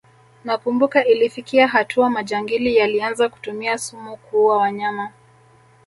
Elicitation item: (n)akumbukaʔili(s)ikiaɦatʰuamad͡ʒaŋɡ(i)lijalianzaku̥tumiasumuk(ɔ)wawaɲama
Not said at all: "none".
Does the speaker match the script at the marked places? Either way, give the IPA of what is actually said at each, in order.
n, f, i, u

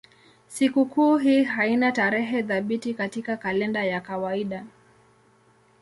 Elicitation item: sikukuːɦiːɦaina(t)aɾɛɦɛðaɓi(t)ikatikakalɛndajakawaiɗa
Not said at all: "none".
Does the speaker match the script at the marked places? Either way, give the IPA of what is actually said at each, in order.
t, t

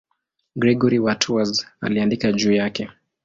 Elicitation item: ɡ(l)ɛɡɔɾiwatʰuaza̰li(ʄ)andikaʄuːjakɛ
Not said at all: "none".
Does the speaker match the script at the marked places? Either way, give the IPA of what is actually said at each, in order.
ɾ, none

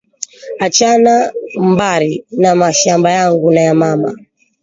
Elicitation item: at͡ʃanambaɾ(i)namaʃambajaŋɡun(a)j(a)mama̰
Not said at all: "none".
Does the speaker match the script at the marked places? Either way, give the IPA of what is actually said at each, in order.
i, a, a

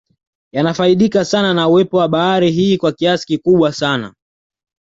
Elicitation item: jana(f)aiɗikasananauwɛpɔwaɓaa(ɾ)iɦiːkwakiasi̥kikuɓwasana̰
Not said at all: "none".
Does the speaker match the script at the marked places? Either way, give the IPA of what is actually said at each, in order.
f, ɾ

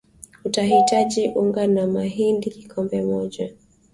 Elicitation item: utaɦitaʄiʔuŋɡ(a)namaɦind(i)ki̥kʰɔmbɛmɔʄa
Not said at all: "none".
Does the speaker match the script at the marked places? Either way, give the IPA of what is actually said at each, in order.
a, i

